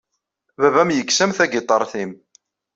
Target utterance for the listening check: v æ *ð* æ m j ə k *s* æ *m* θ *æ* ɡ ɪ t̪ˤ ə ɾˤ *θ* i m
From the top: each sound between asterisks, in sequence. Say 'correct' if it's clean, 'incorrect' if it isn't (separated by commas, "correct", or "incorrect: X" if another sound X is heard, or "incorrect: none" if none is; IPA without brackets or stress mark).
incorrect: v, correct, correct, correct, correct